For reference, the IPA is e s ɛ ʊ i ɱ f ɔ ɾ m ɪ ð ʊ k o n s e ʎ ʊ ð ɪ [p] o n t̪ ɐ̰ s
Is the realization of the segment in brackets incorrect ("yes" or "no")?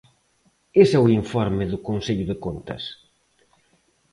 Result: yes